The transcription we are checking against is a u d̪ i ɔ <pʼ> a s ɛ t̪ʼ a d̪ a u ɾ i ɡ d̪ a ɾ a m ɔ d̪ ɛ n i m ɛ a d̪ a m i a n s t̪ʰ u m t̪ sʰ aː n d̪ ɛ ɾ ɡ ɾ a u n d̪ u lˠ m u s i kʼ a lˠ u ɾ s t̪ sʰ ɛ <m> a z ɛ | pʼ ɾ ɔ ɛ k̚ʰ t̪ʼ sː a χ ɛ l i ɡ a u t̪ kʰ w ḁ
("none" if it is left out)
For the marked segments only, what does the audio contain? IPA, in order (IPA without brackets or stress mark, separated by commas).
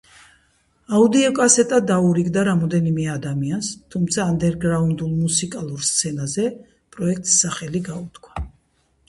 kʼ, n